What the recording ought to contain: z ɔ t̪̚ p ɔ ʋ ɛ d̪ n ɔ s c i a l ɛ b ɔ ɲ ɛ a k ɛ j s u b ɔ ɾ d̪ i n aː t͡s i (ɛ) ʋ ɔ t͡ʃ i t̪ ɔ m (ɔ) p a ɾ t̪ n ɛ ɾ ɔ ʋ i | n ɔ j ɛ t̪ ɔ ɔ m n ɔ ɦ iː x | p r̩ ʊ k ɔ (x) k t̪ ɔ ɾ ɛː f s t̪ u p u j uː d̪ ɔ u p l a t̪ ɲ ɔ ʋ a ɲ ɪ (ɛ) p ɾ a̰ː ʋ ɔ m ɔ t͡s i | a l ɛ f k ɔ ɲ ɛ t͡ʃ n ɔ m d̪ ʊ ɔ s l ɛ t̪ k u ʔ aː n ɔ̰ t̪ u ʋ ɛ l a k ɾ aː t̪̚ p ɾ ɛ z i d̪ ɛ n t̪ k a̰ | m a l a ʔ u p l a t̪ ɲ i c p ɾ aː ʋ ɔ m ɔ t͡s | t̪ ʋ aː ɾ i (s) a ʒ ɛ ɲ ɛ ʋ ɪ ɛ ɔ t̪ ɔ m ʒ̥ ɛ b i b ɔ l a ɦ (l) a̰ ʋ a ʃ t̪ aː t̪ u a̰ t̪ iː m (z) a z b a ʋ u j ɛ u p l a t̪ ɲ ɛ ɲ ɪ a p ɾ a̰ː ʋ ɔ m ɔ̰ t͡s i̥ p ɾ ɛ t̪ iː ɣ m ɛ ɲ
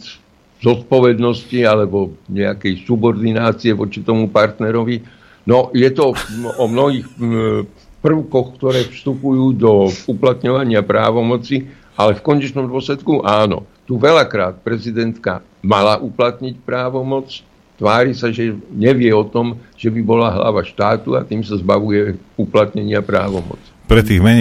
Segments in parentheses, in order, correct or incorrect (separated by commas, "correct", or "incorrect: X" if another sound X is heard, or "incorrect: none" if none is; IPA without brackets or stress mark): correct, incorrect: u, correct, incorrect: a, correct, correct, incorrect: s